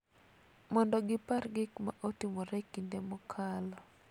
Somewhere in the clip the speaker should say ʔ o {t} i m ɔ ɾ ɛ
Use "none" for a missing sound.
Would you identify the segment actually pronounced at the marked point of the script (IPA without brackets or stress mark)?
t